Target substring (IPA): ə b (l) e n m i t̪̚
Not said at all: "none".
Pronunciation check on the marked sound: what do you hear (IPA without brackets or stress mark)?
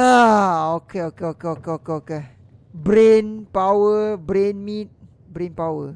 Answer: ɾ